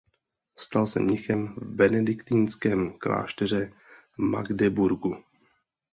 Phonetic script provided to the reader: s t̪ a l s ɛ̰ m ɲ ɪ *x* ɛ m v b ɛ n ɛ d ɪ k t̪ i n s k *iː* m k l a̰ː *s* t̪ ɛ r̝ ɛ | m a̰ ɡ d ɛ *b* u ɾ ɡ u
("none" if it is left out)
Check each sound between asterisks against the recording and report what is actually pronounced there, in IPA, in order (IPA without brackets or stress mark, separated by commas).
x, ɛː, ʃ, b